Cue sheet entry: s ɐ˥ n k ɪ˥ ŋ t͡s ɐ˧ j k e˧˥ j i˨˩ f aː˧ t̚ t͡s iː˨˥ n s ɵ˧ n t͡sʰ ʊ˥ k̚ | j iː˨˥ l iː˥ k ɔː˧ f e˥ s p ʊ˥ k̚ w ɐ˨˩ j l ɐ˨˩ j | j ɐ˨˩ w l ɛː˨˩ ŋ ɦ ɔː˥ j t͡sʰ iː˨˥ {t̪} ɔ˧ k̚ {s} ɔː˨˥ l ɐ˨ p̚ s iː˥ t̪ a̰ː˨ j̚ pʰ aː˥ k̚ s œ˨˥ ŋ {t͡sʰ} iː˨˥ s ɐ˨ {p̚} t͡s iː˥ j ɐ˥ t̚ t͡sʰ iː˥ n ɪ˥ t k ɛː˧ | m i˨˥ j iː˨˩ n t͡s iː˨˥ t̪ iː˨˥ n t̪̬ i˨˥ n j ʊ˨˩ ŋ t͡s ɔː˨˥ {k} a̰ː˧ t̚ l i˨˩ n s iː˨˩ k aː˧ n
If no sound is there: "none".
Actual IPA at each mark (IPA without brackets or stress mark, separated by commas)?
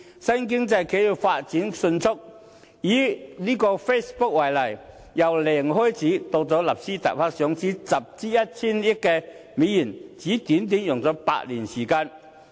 t̪, t͡s, t͡s, p̚, p